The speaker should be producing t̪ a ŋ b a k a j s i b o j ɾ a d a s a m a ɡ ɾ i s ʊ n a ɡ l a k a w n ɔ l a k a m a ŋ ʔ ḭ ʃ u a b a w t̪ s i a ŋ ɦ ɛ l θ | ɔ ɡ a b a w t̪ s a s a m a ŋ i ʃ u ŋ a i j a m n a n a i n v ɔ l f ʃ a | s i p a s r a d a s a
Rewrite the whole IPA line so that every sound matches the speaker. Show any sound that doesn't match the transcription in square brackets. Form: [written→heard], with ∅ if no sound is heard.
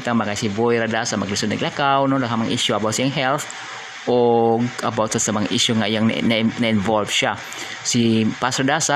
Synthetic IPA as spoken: t̪ a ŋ [b→m] a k a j s i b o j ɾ a d a s a m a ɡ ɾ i s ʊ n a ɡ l a k a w n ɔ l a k a m a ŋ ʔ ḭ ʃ u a b a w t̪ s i a ŋ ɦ ɛ l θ | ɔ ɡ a b a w t̪ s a s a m a ŋ i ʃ u ŋ a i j a [m→ŋ] n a n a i n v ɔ l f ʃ a | s i p a s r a d a s a